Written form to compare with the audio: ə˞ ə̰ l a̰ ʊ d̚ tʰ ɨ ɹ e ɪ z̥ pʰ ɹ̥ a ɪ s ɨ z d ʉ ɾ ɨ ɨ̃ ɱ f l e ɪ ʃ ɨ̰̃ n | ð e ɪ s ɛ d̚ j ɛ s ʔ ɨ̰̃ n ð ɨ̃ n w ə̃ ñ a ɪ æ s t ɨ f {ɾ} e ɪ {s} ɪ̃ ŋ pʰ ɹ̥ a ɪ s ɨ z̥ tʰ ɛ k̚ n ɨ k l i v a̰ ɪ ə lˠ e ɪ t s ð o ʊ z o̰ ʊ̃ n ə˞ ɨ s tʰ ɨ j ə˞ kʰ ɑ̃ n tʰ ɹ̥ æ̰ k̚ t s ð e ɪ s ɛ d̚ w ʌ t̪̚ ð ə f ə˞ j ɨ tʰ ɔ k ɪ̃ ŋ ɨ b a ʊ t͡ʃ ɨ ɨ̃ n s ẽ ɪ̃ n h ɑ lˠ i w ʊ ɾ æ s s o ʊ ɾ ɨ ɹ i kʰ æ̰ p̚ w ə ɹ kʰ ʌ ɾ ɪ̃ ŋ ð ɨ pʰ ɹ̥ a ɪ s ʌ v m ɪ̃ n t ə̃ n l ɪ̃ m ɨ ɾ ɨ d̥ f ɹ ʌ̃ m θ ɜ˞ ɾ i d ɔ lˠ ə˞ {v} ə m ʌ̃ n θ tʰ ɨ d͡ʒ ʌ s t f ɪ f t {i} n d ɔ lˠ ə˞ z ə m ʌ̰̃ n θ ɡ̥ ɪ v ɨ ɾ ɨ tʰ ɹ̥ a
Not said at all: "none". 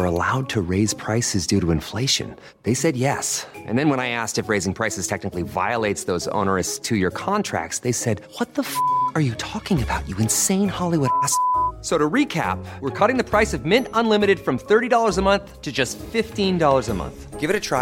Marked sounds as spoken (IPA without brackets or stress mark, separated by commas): ɹ, z, z, ĩ